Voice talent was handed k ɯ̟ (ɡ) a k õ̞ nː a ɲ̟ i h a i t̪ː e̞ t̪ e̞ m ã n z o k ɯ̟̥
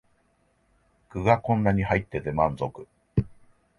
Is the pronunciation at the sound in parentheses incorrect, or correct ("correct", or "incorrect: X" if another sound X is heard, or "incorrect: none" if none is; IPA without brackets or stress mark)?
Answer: correct